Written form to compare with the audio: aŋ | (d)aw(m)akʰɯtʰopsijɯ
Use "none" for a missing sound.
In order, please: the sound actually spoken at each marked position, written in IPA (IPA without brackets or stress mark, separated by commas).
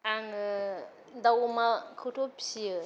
d, m